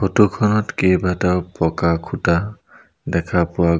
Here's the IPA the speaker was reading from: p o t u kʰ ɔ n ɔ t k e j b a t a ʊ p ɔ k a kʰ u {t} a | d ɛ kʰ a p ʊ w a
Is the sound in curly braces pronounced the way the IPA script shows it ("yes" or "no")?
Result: yes